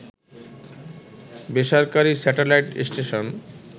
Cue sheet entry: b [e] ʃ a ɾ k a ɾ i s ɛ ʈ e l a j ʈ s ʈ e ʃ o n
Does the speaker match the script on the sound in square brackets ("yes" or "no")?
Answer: yes